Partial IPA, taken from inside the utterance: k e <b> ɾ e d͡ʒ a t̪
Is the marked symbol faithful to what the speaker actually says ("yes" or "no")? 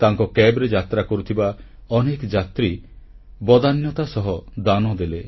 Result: yes